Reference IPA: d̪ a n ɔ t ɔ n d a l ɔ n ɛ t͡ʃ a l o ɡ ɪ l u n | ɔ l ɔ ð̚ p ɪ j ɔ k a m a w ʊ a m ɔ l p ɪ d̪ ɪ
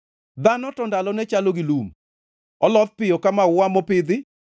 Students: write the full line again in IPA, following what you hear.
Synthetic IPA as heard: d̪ a n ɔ t ɔ n d a l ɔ n ɛ t͡ʃ a l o ɡ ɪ l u m | ɔ l ɔ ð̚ p ɪ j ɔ k a m a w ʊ a m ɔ p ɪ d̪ ɪ